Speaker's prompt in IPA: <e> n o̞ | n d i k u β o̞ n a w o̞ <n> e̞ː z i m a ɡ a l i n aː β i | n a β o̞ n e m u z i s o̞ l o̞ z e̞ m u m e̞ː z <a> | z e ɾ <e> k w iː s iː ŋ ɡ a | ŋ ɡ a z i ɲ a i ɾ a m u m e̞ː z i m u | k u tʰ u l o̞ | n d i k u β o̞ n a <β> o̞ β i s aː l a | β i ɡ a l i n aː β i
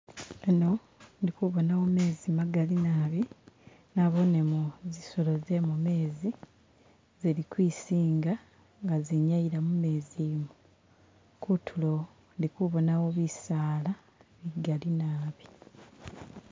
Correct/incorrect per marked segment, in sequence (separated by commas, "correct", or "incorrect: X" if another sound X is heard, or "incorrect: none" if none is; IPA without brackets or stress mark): correct, incorrect: m, incorrect: i, incorrect: i, incorrect: w